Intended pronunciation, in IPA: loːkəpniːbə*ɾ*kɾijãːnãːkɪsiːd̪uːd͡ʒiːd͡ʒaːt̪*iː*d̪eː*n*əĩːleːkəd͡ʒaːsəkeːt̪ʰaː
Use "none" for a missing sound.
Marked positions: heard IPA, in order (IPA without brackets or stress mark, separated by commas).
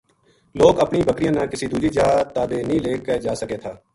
none, aː, n